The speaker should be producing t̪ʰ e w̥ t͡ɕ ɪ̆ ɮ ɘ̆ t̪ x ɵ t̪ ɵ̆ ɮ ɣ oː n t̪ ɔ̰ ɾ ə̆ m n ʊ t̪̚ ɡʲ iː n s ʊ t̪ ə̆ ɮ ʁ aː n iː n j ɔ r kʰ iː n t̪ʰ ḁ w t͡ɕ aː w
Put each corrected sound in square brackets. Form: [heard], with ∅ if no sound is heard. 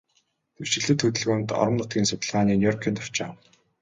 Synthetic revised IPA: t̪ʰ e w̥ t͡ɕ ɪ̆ ɮ ɘ̆ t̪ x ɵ t̪ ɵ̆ ɮ ɣ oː n t̪ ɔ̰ ɾ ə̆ m n ʊ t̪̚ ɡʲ iː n s ʊ t̪ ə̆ ɮ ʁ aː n iː n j ɔ r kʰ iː n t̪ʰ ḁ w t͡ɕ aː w